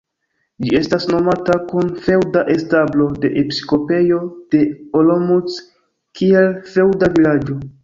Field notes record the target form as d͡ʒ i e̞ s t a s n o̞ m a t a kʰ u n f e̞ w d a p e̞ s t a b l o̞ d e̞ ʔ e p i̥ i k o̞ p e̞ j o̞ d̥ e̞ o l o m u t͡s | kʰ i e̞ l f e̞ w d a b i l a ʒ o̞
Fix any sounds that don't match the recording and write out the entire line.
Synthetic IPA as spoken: d͡ʒ i e̞ s t a s n o̞ m a t a k u n f e̞ w d a ʔ e̞ s t a b l o̞ d e̞ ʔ e p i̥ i k o̞ p e̞ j o̞ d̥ e̞ o l o m u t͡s | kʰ i e̞ l f e̞ w d a v i l a d͡ʒ o̞